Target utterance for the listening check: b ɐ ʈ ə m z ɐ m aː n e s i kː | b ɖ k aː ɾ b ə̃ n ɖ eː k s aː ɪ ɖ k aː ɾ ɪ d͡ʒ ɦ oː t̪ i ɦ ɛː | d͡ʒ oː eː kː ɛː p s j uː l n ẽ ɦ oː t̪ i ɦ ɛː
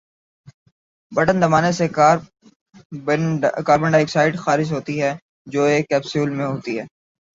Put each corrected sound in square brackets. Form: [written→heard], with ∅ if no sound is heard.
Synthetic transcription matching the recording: b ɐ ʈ ə [m→n] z ɐ m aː n e s [i→e] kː | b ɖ k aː ɾ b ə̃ [n→ɳ] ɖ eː k s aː ɪ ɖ [k→x] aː ɾ ɪ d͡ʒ ɦ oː t̪ i ɦ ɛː | d͡ʒ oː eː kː ɛː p s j uː l [n→m] ẽ ɦ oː t̪ i ɦ ɛː